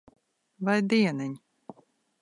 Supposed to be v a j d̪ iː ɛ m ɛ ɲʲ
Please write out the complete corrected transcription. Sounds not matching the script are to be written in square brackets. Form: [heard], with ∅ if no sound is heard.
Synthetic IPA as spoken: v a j d̪ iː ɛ [n] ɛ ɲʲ